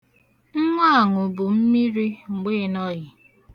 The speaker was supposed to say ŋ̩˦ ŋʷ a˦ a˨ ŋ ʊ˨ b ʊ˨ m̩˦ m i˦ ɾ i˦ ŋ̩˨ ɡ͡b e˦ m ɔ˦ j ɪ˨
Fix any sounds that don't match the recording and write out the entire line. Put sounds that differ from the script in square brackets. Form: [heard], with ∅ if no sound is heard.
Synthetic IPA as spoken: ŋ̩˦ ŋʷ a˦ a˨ ŋ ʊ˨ b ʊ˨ m̩˦ m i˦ ɾ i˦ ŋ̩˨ ɡ͡b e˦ [n] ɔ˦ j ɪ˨

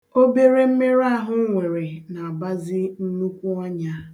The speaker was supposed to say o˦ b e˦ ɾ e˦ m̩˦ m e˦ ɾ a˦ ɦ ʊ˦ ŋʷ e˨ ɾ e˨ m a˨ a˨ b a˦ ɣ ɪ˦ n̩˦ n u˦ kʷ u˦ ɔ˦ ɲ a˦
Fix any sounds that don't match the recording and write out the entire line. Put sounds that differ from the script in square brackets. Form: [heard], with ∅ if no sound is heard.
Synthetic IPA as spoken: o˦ b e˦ ɾ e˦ m̩˦ m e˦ ɾ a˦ ɦ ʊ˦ ŋʷ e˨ ɾ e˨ [n] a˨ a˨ b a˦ [z] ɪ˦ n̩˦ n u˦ kʷ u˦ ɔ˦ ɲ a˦

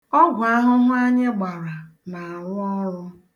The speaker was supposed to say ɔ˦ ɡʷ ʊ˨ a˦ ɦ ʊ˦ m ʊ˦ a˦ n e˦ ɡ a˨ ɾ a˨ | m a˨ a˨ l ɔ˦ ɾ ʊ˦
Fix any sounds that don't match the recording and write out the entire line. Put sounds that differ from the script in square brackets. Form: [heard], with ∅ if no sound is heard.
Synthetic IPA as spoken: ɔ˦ ɡʷ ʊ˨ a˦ ɦ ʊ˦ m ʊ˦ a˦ [ɲ] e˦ [ɡ͡b] a˨ ɾ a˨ | [n] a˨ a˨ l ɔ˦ ɾ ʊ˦

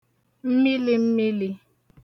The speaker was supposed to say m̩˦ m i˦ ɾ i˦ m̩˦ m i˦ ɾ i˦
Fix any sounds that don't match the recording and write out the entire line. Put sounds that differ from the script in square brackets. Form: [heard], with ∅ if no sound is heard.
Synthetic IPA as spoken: m̩˦ m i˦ [l] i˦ m̩˦ m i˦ [l] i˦

